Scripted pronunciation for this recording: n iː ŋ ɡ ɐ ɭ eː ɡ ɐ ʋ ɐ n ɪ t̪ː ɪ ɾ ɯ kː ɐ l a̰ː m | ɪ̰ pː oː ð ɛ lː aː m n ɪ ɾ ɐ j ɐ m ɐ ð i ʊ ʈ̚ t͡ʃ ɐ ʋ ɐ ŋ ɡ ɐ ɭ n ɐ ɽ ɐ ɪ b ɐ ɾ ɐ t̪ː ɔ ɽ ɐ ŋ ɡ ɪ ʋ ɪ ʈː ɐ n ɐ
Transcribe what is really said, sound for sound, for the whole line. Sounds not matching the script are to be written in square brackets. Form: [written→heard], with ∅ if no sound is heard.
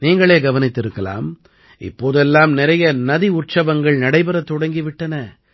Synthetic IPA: n iː ŋ ɡ ɐ ɭ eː ɡ ɐ ʋ ɐ n ɪ t̪ː ɪ ɾ ɯ kː ɐ l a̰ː m | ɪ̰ pː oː ð ɛ lː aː m n ɪ ɾ ɐ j ɐ [m→n] ɐ ð i ʊ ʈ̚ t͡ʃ ɐ ʋ ɐ ŋ ɡ ɐ ɭ n ɐ ɽ ɐ ɪ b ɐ ɾ ɐ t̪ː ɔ ɽ ɐ ŋ ɡ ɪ ʋ ɪ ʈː ɐ n ɐ